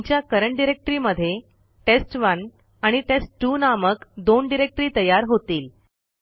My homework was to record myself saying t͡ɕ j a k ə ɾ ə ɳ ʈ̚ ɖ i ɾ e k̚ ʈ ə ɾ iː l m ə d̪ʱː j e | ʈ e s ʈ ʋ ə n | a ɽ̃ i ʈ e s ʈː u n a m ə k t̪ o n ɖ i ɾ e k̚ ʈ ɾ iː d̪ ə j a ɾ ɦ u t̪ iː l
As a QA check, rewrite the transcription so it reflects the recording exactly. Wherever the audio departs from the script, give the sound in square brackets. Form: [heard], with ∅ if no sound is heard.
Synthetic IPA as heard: t͡ɕ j a k ə ɾ ə ɳ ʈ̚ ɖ i ɾ e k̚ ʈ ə ɾ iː [∅] m ə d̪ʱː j e | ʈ e s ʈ ʋ ə n | a ɽ̃ i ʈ e s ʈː u n a m ə k [d̪] o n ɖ i ɾ e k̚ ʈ ɾ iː [t̪] ə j a ɾ ɦ [o] t̪ iː l